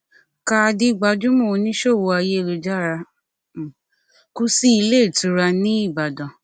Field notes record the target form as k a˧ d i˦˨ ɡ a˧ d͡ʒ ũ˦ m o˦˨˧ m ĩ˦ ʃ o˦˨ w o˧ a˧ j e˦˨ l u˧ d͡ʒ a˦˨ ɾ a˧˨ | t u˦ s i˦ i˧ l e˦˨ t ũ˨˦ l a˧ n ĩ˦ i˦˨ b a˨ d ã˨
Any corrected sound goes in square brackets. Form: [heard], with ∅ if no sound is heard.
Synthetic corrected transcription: k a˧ d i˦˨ [ɡ͡b] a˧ d͡ʒ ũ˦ m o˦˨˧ [n] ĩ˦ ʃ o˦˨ w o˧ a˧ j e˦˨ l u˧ d͡ʒ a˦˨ ɾ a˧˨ | [k] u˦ s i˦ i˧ l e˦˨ t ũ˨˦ [ɾ] a˧ n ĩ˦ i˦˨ b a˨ d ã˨